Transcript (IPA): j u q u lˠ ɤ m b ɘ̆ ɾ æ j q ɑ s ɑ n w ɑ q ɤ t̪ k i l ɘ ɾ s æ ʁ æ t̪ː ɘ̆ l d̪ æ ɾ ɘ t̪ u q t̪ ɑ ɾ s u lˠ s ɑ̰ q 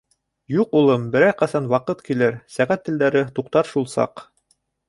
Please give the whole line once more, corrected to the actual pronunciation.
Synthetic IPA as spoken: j u q u lˠ ɤ m b ɘ̆ ɾ æ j q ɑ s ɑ n w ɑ q ɤ t̪ k i l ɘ ɾ s æ ʁ æ t̪ː ɘ̆ l d̪ æ ɾ ɘ t̪ u q t̪ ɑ ɾ ʃ u lˠ s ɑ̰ q